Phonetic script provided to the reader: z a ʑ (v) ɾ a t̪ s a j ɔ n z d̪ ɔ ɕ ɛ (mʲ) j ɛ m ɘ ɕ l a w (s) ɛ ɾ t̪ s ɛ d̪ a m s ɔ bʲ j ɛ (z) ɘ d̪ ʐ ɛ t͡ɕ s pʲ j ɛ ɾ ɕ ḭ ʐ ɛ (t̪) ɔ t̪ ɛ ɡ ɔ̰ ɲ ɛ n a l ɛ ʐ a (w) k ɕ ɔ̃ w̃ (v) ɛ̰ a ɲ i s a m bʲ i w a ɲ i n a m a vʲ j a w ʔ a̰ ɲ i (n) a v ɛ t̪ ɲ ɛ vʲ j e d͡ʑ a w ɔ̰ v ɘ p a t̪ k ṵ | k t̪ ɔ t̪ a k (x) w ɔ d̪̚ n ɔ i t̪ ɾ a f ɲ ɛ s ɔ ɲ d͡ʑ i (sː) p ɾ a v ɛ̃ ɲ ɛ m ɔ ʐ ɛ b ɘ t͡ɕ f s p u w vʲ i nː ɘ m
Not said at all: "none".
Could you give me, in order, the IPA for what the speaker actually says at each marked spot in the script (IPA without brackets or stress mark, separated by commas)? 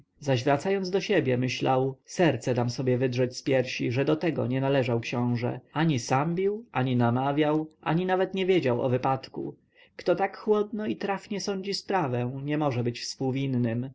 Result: v, bʲ, s, v, d̪, w, ʐ, n, x, s